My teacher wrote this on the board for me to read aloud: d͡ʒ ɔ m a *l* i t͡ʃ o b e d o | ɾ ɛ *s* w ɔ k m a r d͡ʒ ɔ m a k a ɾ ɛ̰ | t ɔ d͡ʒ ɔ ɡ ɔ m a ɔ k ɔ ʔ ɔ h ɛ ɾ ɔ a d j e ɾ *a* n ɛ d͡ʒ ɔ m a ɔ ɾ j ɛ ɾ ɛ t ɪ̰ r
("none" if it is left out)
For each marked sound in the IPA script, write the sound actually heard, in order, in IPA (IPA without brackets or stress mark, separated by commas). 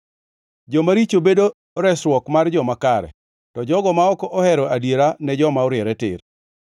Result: ɾ, s, a